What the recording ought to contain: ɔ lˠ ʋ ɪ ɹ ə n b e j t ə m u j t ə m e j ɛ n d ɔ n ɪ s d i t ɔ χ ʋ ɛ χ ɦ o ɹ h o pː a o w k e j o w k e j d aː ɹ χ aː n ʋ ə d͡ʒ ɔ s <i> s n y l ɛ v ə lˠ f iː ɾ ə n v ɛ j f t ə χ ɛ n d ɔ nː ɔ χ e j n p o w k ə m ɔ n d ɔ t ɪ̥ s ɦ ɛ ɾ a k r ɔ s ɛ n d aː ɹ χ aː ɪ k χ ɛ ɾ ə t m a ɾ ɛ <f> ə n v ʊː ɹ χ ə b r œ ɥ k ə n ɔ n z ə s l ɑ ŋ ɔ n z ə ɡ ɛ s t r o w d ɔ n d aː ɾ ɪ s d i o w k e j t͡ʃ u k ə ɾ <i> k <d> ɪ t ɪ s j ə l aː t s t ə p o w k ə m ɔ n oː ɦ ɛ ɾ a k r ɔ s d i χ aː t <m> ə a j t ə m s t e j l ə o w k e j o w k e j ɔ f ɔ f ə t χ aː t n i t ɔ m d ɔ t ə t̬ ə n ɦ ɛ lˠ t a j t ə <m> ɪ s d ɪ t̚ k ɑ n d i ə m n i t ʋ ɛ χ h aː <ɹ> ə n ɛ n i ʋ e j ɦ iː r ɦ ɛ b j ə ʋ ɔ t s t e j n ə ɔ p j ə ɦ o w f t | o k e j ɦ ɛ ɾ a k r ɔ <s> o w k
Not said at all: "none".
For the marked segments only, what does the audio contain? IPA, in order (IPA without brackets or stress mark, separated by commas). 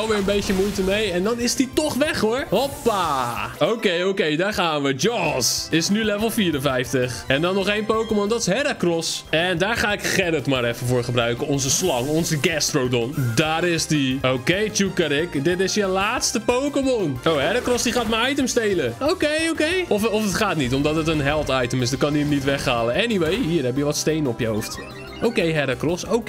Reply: ɪ, f, ɪ, d, m, m, l, s